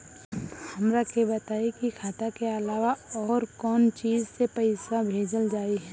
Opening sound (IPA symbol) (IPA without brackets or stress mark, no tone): h